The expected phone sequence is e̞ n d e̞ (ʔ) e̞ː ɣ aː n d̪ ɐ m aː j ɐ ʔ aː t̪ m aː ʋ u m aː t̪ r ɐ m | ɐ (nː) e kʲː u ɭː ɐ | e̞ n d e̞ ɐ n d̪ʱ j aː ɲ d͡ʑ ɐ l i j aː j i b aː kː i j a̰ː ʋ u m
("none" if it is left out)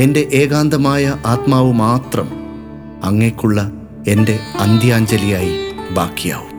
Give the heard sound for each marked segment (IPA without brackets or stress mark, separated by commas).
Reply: ʔ, ŋː